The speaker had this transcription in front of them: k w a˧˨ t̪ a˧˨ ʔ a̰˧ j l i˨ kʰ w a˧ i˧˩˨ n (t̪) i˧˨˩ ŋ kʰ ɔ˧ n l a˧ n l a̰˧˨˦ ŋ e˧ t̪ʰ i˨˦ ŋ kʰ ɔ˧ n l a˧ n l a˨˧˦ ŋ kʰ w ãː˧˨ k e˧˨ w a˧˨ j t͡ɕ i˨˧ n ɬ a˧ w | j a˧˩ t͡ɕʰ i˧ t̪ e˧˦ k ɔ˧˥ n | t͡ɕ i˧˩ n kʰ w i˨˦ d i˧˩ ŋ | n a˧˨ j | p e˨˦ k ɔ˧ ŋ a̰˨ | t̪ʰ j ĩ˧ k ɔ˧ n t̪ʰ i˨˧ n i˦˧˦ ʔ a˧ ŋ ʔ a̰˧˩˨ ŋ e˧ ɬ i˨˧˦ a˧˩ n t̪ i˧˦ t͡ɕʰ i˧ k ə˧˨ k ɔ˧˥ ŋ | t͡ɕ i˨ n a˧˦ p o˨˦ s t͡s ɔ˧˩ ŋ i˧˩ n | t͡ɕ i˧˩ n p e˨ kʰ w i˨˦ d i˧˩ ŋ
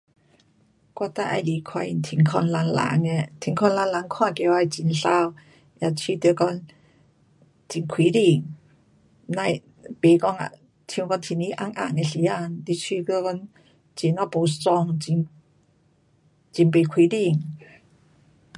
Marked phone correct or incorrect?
incorrect: t̪ʰ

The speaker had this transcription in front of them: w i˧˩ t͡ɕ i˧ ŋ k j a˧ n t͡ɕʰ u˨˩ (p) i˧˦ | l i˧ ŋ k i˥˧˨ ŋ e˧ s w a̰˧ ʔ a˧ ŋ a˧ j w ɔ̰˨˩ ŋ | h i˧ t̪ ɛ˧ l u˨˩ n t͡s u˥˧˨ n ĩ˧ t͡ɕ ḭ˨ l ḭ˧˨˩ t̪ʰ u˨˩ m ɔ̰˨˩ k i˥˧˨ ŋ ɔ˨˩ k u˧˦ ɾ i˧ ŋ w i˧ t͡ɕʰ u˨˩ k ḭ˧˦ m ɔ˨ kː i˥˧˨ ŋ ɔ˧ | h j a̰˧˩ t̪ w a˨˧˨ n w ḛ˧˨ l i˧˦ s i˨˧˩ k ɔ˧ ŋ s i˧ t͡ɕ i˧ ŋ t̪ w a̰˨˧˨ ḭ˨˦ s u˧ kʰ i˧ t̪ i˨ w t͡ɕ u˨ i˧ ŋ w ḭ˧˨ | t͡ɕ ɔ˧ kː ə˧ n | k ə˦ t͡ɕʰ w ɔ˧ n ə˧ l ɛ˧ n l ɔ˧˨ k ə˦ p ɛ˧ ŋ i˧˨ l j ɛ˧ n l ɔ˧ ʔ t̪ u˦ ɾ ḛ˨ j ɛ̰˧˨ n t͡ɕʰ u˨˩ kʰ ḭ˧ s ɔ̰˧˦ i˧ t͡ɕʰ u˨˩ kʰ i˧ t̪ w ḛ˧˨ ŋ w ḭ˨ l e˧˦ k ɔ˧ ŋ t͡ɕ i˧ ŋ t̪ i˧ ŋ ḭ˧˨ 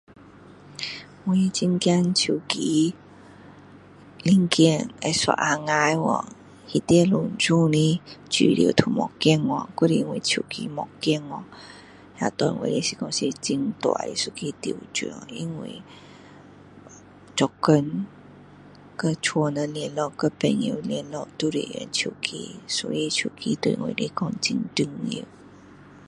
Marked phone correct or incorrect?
incorrect: k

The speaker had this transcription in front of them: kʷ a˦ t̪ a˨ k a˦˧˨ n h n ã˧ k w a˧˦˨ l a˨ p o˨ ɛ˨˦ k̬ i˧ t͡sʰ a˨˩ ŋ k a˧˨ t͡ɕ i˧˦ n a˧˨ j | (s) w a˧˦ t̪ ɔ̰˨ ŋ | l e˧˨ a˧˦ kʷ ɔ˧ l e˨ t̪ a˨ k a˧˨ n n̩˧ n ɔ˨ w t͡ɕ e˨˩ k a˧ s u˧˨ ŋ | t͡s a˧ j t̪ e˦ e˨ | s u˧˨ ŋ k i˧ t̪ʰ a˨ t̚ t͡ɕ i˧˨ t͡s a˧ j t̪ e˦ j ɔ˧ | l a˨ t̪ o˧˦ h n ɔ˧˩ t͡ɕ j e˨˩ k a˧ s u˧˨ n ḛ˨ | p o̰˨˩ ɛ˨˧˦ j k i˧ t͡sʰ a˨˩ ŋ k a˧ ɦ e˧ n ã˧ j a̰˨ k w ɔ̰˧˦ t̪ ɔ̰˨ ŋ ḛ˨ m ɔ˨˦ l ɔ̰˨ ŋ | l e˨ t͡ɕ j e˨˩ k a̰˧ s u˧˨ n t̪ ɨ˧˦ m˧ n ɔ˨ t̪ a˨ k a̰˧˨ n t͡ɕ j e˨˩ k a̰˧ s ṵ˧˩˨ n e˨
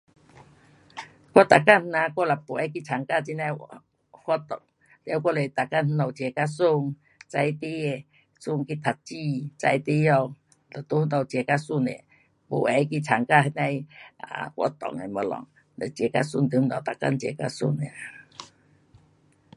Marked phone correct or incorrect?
incorrect: h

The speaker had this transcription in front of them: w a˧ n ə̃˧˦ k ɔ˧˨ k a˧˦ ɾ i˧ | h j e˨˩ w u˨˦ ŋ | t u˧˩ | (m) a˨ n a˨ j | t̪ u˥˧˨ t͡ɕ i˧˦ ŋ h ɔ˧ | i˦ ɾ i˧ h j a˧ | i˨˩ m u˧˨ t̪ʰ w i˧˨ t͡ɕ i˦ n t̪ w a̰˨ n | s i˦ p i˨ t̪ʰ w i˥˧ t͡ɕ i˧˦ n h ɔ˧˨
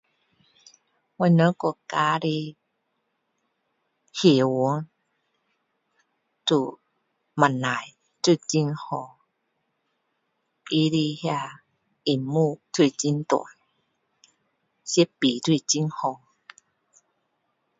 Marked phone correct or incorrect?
correct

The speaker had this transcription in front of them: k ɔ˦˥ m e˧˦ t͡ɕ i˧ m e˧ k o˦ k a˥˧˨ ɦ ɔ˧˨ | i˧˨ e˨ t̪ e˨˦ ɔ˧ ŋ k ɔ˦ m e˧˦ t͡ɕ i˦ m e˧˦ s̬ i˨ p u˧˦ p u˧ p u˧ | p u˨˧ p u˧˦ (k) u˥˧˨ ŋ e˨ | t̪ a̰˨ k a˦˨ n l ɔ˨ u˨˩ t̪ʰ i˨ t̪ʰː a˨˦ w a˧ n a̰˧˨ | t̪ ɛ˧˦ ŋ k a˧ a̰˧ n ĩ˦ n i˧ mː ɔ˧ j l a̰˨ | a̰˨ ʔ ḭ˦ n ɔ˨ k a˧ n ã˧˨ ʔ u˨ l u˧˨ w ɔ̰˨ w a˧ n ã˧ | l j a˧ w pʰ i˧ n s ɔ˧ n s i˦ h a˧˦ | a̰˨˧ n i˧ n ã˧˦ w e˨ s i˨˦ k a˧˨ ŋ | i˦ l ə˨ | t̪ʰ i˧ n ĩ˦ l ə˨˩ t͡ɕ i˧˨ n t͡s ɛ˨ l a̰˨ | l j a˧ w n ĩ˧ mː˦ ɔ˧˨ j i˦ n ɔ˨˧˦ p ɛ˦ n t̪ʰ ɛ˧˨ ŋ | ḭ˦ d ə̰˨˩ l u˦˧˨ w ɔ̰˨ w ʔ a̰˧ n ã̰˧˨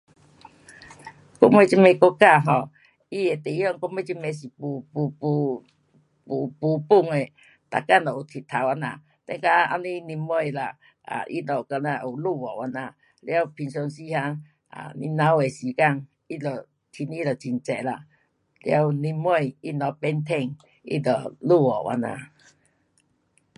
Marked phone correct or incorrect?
incorrect: p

